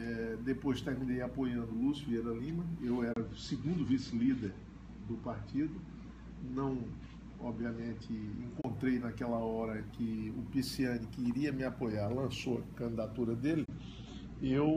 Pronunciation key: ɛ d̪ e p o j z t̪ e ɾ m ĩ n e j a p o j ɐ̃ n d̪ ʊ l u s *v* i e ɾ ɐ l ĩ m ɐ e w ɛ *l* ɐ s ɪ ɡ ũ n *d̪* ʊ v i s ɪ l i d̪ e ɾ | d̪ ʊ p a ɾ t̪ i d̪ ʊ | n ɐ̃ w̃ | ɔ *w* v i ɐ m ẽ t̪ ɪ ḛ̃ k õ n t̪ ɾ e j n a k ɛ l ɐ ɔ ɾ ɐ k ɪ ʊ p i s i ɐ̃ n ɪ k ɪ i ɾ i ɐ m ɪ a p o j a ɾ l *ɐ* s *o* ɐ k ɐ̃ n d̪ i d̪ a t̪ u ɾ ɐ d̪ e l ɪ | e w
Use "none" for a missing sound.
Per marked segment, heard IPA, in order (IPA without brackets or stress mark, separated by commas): v, ɾ, d̪, b, ɐ̃, o